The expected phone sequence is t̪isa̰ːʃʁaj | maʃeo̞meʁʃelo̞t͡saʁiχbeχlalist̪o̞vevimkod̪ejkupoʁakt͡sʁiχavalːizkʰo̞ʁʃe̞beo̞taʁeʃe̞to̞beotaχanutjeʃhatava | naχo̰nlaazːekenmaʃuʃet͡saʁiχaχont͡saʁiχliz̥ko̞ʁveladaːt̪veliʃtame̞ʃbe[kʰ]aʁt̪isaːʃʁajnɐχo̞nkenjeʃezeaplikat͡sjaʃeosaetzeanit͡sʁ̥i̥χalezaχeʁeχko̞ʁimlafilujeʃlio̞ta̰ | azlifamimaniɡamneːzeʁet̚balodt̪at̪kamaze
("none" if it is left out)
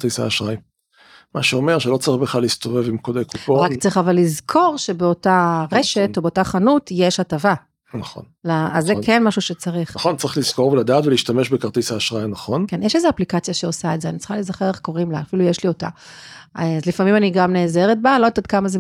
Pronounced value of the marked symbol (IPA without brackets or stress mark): k